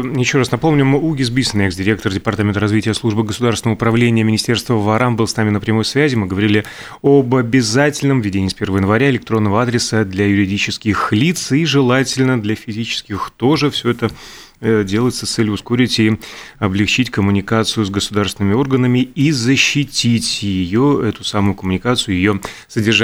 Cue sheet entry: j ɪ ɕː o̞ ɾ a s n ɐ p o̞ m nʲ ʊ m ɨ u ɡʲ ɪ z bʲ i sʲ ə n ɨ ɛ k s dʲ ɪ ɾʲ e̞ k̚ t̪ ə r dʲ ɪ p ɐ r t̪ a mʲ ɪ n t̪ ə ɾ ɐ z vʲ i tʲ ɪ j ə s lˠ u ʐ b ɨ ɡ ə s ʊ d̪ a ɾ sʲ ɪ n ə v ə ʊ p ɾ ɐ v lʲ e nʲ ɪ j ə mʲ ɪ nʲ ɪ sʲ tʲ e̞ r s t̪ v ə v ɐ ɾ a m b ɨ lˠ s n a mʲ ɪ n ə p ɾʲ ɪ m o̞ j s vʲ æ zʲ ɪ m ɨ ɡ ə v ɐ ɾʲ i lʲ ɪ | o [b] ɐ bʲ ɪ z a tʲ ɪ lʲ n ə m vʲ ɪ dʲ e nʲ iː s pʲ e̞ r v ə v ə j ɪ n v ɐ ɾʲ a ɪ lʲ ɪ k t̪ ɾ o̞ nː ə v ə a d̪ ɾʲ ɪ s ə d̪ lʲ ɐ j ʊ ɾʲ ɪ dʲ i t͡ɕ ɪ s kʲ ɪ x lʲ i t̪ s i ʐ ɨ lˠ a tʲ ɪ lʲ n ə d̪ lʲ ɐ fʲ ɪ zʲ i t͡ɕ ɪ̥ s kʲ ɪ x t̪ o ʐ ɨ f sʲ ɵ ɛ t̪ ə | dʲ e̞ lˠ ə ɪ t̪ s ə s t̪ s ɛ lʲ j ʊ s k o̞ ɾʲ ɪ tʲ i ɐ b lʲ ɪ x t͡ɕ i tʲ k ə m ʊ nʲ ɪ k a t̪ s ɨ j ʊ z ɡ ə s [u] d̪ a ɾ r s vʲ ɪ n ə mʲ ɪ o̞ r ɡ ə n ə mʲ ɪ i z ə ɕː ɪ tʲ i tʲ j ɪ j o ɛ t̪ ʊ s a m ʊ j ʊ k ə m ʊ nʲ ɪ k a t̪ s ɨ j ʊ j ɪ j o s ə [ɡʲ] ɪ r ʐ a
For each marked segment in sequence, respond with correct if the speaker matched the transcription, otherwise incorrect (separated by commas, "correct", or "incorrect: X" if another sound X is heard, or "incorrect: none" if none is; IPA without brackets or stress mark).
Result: correct, incorrect: ʊ, incorrect: dʲ